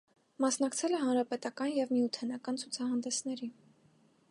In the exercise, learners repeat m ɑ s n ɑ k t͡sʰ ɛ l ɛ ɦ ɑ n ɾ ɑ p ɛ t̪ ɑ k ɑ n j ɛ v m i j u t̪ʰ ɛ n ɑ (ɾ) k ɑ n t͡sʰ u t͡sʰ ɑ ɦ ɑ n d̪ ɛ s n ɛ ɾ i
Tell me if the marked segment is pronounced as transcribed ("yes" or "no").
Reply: no